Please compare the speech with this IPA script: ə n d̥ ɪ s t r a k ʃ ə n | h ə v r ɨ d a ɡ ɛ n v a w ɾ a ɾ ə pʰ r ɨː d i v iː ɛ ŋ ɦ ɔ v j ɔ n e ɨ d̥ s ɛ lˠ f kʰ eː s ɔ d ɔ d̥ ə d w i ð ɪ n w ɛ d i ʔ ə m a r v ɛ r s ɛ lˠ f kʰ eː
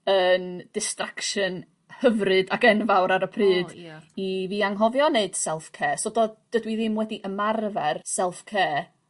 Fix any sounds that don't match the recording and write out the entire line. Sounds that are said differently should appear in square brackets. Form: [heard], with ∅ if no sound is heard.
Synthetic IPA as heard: ə n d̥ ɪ s t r a k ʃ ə n | h ə v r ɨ d a ɡ ɛ n v a w ɾ a ɾ ə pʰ r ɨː d i v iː [a] ŋ ɦ ɔ v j ɔ n e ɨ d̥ s ɛ lˠ f kʰ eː s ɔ d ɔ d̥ ə d w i ð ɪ [m] w ɛ d i ʔ ə m a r v ɛ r s ɛ lˠ f kʰ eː